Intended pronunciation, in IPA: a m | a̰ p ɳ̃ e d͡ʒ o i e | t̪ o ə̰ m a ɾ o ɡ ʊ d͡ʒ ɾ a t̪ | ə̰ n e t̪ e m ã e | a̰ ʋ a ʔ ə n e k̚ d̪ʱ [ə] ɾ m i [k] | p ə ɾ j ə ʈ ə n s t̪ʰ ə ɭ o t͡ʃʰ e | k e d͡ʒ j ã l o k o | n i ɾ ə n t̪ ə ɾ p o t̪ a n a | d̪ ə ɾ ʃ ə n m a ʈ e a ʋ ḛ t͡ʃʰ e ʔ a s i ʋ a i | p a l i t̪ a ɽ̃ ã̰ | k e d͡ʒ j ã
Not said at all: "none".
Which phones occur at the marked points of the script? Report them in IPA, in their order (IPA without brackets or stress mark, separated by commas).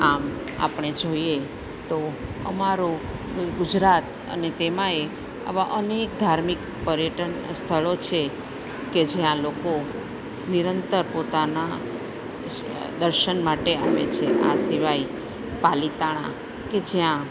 a, k